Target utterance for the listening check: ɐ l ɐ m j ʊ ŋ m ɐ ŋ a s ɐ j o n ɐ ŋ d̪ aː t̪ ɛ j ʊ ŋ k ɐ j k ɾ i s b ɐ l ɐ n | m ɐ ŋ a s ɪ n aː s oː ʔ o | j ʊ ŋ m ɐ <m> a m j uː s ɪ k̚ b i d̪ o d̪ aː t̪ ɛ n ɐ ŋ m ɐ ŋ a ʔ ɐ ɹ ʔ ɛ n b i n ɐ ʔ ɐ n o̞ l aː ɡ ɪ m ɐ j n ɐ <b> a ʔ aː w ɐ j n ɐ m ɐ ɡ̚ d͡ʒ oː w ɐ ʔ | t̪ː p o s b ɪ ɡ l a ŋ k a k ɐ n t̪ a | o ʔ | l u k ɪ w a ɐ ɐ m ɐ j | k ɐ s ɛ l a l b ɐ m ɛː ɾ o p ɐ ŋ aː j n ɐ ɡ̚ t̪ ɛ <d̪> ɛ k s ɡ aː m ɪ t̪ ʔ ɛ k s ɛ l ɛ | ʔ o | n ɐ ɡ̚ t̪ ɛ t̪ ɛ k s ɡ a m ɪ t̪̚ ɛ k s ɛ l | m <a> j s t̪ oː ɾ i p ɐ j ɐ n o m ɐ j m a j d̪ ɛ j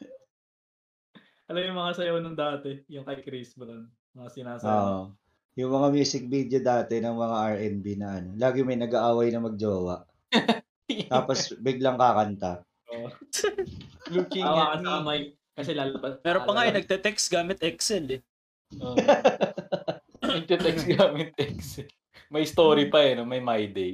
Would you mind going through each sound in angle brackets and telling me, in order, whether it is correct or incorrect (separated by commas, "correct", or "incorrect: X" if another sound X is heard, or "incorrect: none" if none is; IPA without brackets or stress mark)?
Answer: incorrect: ŋ, incorrect: ɡ, incorrect: t̪, incorrect: ɐ